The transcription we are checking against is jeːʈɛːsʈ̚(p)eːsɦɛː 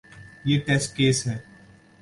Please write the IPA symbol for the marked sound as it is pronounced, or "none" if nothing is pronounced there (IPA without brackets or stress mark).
k